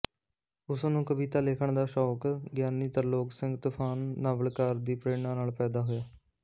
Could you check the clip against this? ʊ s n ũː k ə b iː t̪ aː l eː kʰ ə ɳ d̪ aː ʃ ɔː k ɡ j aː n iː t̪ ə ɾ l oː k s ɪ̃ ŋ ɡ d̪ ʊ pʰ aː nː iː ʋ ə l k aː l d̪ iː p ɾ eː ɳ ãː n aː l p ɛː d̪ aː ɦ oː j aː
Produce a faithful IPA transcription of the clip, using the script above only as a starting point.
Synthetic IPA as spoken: ʊ s n ũː k ə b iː t̪ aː l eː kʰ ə ɳ d̪ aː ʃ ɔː k ɡ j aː n iː t̪ ə ɾ l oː k s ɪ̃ ŋ ɡ t̪ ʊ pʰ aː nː aː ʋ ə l k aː ɾ d̪ iː p ɾ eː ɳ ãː n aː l p ɛː d̪ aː ɦ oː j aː

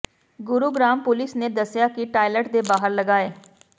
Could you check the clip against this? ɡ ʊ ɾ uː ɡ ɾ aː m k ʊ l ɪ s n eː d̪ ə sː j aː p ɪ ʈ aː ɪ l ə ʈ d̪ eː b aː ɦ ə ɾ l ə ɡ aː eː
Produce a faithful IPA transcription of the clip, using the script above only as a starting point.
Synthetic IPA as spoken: ɡ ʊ ɾ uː ɡ ɾ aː m p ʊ l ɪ s n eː d̪ ə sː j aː k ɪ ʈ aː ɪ l ə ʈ d̪ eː b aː ɦ ə ɾ l ə ɡ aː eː

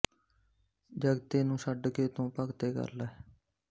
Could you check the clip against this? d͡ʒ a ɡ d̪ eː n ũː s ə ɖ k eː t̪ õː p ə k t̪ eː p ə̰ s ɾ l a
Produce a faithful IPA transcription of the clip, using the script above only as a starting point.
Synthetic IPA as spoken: d͡ʒ ə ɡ t̪ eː n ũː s ə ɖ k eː t̪ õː p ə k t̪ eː k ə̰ ɾ l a

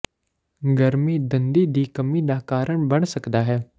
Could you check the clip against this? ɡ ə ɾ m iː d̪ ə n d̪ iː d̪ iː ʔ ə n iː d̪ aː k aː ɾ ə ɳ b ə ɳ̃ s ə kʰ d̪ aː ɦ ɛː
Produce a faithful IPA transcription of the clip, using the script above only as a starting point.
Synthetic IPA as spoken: ɡ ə ɾ m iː d̪ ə n d̪ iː d̪ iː k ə m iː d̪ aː k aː ɾ ə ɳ b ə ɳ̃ s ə k d̪ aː ɦ ɛː

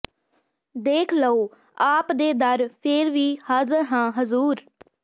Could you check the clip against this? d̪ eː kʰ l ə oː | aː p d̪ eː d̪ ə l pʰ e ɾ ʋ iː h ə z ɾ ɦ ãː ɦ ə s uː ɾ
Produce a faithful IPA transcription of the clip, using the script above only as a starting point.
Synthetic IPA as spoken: d̪ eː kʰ l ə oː | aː p d̪ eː d̪ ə ɾ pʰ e ɾ ʋ iː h ə z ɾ ɦ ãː ɦ ə z uː ɾ

